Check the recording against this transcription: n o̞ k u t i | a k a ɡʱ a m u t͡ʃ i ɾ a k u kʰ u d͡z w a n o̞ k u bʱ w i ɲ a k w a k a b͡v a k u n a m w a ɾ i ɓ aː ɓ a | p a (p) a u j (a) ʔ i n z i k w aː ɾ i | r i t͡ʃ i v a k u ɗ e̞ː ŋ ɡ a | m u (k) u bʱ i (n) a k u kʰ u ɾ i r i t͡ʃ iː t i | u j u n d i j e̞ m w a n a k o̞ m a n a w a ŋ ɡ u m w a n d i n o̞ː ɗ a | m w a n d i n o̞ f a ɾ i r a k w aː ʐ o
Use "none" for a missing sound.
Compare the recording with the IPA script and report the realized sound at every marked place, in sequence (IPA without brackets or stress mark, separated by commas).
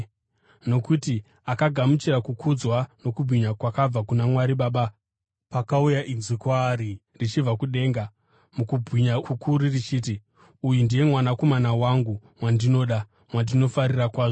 k, a, k, ɲ